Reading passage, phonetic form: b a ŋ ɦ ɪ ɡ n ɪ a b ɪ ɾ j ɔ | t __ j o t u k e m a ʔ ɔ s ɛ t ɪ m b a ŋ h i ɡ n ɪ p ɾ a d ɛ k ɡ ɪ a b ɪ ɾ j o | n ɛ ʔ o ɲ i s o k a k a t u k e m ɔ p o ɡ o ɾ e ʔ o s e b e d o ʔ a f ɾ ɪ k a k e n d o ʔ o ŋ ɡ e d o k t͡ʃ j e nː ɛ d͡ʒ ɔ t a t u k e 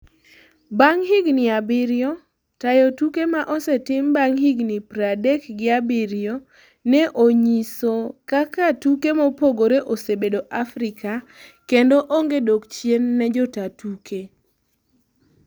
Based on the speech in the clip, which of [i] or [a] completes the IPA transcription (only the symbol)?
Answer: a